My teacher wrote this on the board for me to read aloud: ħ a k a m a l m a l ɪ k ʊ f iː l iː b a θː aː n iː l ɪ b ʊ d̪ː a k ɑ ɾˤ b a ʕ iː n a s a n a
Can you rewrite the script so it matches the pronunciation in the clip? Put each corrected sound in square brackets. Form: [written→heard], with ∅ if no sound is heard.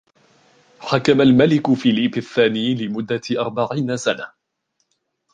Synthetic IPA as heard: ħ a k a m a l m a l ɪ k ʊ f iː l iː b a θː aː n iː l ɪ [b→m] ʊ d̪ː a [k→ʔ] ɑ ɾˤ b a ʕ iː n a s a n a